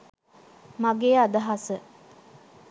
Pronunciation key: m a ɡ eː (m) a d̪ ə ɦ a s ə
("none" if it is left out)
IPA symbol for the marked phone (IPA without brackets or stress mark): none